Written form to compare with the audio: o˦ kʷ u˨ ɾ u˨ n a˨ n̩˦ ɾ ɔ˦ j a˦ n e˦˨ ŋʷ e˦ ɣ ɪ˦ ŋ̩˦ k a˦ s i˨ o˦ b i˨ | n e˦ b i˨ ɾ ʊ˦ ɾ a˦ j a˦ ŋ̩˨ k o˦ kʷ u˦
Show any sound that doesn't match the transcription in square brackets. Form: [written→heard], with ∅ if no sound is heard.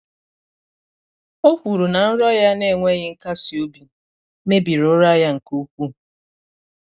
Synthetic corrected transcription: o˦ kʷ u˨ ɾ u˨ n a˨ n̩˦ ɾ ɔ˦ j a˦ n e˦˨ ŋʷ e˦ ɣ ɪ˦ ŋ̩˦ k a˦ s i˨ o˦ b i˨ | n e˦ b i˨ ɾ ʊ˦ ɾ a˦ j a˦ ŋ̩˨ k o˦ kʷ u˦

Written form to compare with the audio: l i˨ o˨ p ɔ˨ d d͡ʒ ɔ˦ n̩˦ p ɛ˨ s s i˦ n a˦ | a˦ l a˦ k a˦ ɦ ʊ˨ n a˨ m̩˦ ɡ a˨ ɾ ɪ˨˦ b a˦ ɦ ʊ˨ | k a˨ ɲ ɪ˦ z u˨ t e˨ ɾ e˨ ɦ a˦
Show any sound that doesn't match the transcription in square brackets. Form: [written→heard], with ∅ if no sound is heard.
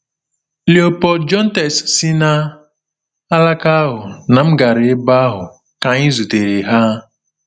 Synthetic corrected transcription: l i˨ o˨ p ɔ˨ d d͡ʒ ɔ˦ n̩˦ [p→t] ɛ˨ s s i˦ n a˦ | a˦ l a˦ k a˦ ɦ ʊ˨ n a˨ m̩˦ ɡ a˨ ɾ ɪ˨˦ b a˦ ɦ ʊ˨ | k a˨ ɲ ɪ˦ z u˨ t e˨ ɾ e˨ ɦ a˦

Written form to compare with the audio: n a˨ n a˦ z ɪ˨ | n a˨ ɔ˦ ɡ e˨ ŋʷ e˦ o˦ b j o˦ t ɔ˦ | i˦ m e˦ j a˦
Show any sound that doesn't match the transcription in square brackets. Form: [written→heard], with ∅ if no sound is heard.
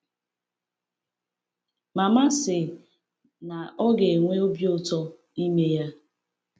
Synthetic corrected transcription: [n→m] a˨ [n→m] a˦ [z→s] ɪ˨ | n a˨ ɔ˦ ɡ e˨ ŋʷ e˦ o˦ b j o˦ t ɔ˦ | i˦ m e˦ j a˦

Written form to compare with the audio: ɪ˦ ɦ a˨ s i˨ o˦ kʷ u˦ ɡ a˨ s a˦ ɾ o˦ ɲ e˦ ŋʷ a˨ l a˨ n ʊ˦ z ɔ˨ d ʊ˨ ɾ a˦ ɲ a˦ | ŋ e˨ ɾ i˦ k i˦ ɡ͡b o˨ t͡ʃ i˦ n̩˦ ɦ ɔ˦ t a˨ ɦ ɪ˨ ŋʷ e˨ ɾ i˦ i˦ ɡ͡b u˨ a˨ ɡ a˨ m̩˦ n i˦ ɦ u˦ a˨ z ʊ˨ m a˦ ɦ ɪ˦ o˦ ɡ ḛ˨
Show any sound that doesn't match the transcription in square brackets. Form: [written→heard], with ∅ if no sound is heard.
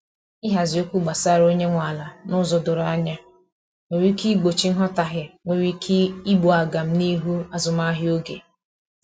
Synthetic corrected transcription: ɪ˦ ɦ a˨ [s→z] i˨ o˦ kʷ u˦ [ɡ→ɡ͡b] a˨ s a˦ ɾ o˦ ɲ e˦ ŋʷ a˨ l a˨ n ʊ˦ z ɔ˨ d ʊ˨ ɾ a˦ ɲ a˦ | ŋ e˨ ɾ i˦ k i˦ ɡ͡b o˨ t͡ʃ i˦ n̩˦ ɦ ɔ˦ t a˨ ɦ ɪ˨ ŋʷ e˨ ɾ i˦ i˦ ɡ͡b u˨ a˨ ɡ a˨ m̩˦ n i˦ ɦ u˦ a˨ z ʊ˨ m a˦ ɦ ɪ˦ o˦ ɡ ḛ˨

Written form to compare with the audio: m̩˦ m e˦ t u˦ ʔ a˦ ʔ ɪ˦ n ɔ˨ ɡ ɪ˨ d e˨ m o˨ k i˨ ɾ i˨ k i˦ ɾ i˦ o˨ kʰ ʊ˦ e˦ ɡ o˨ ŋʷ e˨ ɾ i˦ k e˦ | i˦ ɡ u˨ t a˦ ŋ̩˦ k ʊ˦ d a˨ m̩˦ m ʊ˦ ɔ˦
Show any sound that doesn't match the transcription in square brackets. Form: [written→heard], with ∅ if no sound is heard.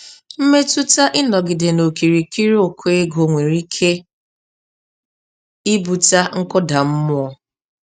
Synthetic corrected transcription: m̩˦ m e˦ t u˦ [ʔ→t] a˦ ʔ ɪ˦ n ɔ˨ ɡ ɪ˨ d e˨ [m→n] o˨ k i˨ ɾ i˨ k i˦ ɾ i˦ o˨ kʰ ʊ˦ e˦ ɡ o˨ ŋʷ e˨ ɾ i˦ [k→kʰ] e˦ | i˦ [ɡ→b] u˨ t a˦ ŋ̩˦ k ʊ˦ d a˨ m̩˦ m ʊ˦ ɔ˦

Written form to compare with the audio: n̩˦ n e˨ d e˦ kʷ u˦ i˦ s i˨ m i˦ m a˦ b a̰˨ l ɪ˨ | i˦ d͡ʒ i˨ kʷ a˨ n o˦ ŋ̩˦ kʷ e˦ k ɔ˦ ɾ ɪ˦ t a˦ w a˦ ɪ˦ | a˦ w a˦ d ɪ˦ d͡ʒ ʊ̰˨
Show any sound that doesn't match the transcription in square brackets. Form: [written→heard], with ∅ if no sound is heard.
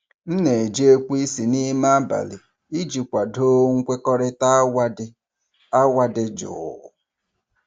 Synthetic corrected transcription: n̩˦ n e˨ [d→d͡ʒ] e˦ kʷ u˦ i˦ s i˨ [m→n] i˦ m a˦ b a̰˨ l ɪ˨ | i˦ d͡ʒ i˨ kʷ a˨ [n→d] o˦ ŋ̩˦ kʷ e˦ k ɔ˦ ɾ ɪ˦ t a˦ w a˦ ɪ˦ | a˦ w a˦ d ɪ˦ d͡ʒ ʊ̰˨

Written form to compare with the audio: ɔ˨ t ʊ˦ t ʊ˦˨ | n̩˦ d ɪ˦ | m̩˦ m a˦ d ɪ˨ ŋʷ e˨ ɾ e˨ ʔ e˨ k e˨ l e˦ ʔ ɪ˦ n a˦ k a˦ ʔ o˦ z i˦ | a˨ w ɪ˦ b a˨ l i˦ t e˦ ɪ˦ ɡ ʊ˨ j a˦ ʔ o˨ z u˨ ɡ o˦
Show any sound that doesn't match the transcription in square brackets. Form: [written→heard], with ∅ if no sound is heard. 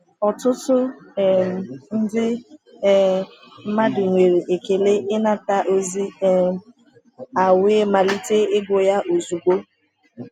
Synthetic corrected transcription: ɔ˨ t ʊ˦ t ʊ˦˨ | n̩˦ d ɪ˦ | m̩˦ m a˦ d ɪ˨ ŋʷ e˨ ɾ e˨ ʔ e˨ k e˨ l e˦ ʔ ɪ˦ n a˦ [k→t] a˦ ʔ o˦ z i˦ | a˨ w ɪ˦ [b→m] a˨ l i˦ t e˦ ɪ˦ ɡ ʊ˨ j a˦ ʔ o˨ z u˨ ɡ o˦

